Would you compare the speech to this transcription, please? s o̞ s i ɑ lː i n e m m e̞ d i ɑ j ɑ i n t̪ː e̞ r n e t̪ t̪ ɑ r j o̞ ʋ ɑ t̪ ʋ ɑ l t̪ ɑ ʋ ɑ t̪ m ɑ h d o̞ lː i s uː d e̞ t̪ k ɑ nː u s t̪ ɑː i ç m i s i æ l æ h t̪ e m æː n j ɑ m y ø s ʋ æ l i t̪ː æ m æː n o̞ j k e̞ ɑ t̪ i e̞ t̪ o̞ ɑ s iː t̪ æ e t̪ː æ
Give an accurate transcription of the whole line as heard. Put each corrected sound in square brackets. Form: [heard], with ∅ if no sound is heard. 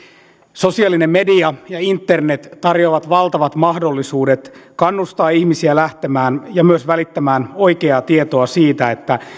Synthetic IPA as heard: s o̞ s i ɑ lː i n e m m e̞ d i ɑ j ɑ i n t̪ː e̞ r n e t̪ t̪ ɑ r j o̞ ʋ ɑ t̪ ʋ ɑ l t̪ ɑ ʋ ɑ t̪ m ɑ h d o̞ lː i s uː d e̞ t̪ k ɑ nː u s t̪ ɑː i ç m i s i æ l æ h t̪ e m æː n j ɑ m y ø s ʋ æ l i t̪ː æ m æː n o̞ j k e̞ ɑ t̪ i e̞ t̪ o̞ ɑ s iː t̪ æ e t̪ː æ